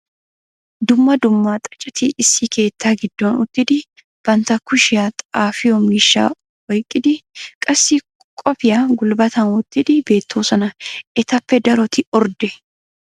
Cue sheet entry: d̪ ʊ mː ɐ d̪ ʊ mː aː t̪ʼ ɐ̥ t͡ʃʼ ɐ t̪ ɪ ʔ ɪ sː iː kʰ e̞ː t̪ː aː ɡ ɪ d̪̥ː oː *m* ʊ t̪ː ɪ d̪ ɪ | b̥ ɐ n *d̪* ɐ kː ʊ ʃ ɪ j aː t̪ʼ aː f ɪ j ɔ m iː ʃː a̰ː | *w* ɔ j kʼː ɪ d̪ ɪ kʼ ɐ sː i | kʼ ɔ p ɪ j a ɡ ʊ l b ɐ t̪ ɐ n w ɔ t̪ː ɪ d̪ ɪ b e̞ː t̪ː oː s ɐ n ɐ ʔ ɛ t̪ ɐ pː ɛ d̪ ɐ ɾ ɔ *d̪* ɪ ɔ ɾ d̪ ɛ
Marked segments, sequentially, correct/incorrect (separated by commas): incorrect, incorrect, correct, incorrect